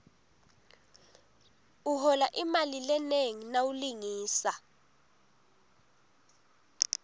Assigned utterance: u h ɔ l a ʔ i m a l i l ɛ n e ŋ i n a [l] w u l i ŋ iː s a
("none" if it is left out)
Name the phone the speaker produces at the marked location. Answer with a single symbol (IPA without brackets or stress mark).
none